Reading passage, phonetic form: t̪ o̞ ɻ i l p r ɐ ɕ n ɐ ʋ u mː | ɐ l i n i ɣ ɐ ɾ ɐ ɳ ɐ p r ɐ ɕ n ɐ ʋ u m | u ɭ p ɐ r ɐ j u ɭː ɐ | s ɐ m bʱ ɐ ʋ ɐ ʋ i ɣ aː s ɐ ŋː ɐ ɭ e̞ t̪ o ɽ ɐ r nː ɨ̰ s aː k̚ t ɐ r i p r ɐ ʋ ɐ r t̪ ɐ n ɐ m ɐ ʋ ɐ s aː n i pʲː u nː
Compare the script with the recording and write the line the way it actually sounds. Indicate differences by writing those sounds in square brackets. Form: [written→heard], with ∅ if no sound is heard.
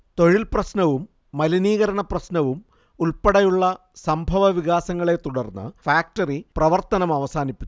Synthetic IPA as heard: t̪ o̞ ɻ i l p r ɐ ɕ n ɐ ʋ u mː | ɐ l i n [i→iː] ɣ ɐ ɾ ɐ ɳ ɐ p r ɐ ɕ n ɐ ʋ u m | u ɭ p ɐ [r→ɽ] ɐ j u ɭː ɐ | s ɐ m bʱ ɐ ʋ ɐ ʋ i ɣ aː s ɐ ŋː ɐ ɭ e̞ t̪ [o→u] ɽ ɐ r nː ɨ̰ [s→f] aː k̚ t ɐ r i p r ɐ ʋ ɐ r t̪ ɐ n ɐ m ɐ ʋ ɐ s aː n i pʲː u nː